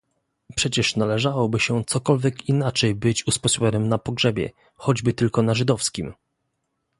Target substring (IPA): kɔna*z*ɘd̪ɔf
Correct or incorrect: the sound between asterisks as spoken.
incorrect: ʐ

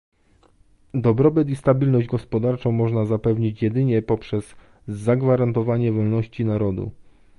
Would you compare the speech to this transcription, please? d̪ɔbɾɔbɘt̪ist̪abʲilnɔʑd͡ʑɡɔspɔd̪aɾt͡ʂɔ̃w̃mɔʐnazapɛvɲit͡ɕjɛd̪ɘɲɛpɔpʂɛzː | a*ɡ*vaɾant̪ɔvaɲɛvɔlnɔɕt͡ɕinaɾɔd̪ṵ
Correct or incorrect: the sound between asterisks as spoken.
correct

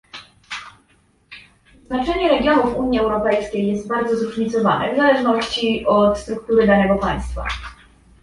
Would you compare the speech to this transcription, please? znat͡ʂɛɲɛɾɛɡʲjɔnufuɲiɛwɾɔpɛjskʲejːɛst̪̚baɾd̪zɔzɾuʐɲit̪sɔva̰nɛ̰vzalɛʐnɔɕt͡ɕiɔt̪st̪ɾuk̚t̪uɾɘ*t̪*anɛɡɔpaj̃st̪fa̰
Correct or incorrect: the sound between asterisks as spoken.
incorrect: d̪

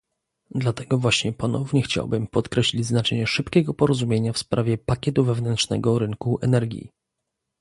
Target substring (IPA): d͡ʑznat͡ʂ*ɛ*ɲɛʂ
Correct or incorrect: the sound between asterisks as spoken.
correct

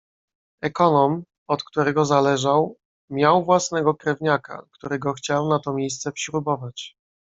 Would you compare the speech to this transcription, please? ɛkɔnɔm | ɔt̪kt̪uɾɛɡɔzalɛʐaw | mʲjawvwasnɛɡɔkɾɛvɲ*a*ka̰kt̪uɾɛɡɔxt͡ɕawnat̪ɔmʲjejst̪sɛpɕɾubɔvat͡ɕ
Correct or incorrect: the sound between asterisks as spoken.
correct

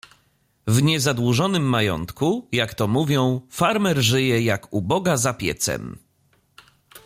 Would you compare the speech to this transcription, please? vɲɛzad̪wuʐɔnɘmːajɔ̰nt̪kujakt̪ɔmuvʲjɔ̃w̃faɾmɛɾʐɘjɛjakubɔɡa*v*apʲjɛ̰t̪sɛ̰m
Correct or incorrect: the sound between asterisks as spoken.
incorrect: z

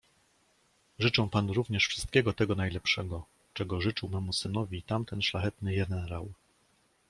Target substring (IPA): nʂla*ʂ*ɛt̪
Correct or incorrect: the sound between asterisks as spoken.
incorrect: x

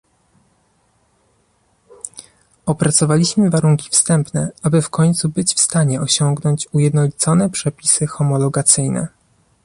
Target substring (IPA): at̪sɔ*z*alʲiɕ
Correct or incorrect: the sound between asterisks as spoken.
incorrect: v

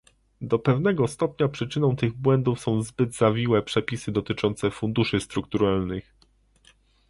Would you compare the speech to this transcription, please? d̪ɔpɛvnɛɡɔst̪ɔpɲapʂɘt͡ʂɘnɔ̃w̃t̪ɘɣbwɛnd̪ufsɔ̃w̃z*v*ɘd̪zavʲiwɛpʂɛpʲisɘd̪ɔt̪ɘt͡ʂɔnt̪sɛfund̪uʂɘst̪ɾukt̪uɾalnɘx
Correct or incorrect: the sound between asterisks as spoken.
incorrect: b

